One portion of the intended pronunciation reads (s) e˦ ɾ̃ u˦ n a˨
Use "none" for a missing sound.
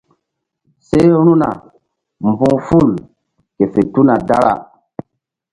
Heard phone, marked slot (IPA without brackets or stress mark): s